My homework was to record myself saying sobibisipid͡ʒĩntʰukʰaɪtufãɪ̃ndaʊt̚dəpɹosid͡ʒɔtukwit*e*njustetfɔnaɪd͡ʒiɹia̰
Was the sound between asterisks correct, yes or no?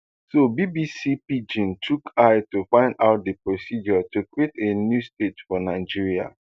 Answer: yes